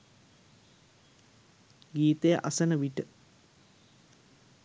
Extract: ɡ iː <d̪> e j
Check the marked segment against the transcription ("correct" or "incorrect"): incorrect